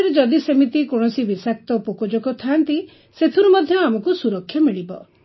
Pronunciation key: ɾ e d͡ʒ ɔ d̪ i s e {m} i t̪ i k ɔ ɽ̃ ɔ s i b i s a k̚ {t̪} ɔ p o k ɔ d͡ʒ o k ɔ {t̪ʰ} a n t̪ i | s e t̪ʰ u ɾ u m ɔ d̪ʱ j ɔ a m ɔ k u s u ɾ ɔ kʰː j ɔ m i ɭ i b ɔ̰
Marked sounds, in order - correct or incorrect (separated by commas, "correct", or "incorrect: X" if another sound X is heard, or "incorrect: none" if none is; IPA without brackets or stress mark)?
correct, correct, correct